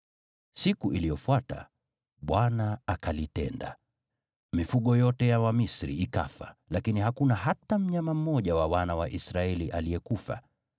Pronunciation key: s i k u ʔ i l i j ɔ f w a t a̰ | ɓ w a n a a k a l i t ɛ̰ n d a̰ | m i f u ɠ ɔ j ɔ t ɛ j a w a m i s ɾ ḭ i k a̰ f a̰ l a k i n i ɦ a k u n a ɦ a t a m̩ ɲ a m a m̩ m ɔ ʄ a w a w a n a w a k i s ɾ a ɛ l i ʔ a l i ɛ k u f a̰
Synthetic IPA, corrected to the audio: s i k u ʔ i l i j ɔ f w a t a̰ | ɓ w a n a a k a l i t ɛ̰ n d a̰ | m i f u ɠ ɔ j ɔ t ɛ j a w a m i s ɾ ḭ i k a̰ f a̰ l a k i n i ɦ a k u n a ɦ a t a m̩ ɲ a m a m̩ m ɔ ʄ a w a w a n a w a ʔ i s ɾ a ɛ l i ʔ a l i ɛ k u f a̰